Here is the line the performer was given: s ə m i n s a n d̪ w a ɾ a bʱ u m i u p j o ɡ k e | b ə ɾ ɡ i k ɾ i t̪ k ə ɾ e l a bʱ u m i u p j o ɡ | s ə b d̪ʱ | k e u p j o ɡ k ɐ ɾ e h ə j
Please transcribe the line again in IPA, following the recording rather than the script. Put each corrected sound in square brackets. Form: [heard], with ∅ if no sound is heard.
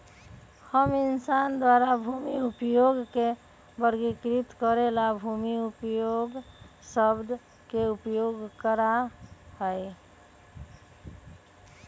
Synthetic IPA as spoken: [h] ə m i n s a n d̪ w a ɾ a bʱ u m i u p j o ɡ k e | b ə ɾ ɡ i k ɾ i t̪ k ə ɾ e l a bʱ u m i u p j o ɡ | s ə b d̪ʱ | k e u p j o ɡ k [ə] ɾ [a] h ə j